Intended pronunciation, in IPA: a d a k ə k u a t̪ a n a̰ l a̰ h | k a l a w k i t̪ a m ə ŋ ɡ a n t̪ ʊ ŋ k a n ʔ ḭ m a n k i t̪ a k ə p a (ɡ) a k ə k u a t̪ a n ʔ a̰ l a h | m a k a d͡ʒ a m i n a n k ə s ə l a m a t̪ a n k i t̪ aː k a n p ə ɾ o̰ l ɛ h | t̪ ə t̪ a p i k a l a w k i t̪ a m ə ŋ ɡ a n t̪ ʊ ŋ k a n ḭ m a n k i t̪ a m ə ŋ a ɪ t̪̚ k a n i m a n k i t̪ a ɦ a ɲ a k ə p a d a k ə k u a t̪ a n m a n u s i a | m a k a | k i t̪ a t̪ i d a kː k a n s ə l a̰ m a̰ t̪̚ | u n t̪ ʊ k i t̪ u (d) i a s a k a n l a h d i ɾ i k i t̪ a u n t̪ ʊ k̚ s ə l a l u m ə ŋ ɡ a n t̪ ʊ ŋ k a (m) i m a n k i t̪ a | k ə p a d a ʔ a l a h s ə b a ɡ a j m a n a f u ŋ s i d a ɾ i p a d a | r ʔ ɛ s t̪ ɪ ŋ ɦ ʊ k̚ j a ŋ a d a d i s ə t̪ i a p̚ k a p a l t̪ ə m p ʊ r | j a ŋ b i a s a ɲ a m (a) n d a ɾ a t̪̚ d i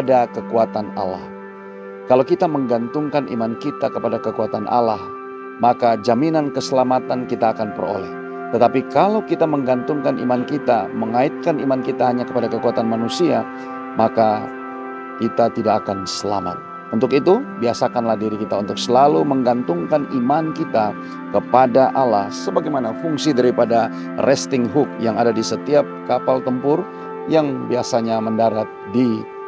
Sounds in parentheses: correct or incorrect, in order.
incorrect: d, incorrect: b, incorrect: n, incorrect: ə

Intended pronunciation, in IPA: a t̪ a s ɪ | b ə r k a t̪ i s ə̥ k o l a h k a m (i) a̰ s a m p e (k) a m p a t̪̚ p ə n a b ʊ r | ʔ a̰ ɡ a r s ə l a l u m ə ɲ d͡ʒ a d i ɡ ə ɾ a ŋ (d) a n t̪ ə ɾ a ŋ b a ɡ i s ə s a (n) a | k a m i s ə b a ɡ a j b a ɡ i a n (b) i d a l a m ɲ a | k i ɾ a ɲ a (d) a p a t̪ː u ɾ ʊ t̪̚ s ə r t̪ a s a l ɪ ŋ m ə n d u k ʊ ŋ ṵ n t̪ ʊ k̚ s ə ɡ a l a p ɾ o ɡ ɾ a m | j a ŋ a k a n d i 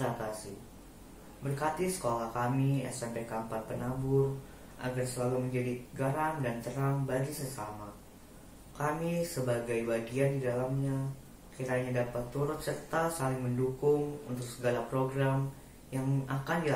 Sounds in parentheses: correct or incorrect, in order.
correct, correct, correct, incorrect: m, incorrect: d, correct

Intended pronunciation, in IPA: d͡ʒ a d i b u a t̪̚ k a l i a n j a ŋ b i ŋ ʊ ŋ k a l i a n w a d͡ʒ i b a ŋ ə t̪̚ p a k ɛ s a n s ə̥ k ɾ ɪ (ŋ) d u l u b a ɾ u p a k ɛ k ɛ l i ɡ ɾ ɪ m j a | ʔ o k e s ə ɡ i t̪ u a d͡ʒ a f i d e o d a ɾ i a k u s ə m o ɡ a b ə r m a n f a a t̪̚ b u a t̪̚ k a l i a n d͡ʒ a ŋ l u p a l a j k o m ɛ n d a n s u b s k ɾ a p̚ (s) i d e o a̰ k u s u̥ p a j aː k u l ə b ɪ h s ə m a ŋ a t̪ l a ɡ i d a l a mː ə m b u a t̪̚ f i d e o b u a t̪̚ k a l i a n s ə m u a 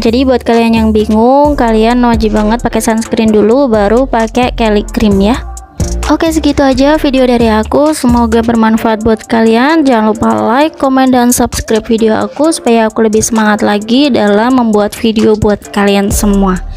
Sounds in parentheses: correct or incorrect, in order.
incorrect: n, incorrect: f

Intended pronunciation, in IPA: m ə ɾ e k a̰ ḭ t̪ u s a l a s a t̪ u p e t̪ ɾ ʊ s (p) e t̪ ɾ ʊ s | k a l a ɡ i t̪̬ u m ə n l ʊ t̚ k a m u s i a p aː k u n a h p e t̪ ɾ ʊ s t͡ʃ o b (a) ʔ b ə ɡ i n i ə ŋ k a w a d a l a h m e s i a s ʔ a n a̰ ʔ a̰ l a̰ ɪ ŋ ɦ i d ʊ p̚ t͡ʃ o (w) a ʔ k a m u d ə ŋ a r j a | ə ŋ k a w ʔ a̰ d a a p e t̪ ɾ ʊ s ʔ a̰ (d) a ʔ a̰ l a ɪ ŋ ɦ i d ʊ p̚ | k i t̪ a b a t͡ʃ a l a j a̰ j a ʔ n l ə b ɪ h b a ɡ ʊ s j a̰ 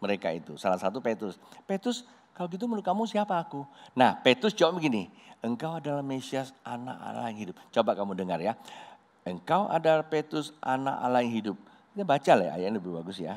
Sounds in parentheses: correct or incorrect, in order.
correct, correct, incorrect: b, incorrect: n

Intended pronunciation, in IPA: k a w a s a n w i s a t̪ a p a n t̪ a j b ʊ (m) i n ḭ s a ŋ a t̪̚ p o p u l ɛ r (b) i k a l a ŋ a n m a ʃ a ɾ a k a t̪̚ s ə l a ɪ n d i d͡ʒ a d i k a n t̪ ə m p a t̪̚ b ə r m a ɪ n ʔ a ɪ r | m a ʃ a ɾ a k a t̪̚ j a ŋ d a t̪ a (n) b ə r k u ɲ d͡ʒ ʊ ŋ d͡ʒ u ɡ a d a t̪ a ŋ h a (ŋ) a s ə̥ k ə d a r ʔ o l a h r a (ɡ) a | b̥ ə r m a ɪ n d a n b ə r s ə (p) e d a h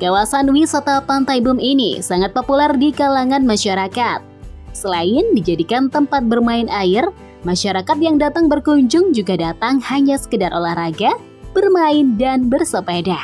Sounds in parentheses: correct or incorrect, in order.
correct, incorrect: d, incorrect: ŋ, incorrect: ɲ, correct, correct

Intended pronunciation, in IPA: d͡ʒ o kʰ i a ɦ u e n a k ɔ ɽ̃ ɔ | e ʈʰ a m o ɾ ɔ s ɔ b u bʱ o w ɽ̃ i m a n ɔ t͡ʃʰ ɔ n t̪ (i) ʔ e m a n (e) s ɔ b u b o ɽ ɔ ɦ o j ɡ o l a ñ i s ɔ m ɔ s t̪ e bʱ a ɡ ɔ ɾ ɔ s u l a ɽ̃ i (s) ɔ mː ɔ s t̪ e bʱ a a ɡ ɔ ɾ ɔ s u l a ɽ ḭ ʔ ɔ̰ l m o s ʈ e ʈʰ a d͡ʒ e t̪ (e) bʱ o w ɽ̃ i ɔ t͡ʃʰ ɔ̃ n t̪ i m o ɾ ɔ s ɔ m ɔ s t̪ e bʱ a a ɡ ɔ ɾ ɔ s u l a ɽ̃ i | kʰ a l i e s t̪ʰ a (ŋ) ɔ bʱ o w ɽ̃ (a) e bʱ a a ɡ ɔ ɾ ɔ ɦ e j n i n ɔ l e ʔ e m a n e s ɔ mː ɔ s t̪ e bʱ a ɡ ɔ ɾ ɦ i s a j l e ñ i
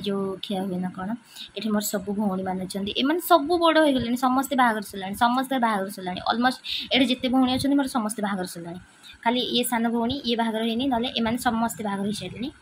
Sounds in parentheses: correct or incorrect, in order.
correct, correct, correct, correct, incorrect: n, incorrect: i

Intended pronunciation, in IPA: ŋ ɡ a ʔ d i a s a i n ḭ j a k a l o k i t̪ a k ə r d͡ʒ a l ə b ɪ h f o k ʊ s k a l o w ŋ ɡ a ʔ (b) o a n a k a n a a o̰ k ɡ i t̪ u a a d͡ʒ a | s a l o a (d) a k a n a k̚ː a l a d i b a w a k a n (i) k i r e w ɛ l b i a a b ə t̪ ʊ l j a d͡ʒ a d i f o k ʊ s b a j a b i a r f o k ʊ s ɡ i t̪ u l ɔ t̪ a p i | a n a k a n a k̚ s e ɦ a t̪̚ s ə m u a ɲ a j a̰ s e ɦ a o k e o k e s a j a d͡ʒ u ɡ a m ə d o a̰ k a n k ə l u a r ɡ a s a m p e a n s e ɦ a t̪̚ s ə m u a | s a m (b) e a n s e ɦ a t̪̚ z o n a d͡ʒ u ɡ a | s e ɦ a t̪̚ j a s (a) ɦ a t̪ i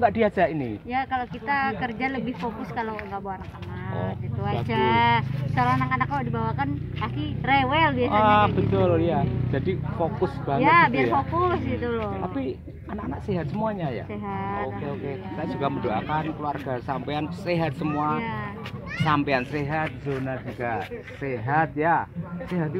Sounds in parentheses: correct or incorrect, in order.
correct, incorrect: n, incorrect: a, incorrect: p, incorrect: e

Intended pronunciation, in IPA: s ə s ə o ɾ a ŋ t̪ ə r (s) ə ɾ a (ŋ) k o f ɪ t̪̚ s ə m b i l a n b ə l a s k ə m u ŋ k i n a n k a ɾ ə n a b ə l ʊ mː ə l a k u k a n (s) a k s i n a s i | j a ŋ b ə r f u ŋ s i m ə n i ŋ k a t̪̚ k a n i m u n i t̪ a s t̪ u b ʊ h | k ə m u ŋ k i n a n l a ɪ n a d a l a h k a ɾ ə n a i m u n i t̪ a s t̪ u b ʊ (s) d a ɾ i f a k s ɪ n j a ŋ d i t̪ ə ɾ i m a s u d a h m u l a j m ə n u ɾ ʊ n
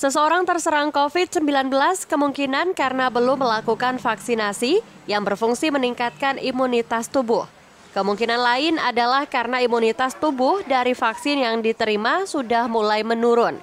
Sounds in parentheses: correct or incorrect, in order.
correct, correct, incorrect: f, incorrect: h

